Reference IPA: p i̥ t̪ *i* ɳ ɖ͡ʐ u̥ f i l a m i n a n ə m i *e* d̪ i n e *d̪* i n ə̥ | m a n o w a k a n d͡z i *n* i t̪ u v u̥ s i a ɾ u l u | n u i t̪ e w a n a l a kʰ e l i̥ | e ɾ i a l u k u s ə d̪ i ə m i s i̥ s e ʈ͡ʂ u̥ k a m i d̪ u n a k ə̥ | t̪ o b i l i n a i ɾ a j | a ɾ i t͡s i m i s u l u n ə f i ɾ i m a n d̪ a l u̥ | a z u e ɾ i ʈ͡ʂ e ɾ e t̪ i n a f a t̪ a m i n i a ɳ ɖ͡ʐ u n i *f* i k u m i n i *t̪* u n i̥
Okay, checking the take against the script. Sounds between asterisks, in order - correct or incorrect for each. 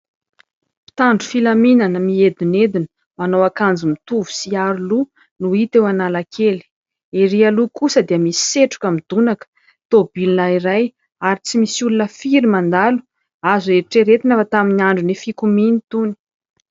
incorrect: a, correct, correct, incorrect: m, correct, correct

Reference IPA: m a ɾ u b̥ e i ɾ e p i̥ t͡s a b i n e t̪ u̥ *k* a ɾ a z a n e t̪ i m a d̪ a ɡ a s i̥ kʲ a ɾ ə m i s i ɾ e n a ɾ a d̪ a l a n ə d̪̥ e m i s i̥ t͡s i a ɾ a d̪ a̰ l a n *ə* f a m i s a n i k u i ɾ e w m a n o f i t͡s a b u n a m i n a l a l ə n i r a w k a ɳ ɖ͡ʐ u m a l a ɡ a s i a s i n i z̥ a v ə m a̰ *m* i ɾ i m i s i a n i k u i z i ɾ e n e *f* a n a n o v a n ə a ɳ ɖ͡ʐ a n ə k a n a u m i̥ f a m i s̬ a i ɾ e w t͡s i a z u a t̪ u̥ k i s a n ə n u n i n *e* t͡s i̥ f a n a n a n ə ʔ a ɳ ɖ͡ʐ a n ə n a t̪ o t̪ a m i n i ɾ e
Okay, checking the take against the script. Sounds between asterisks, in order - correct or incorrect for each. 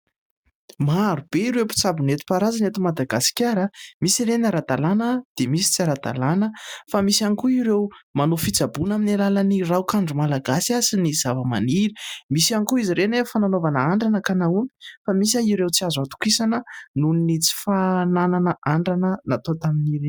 incorrect: p, correct, incorrect: n, correct, incorrect: i

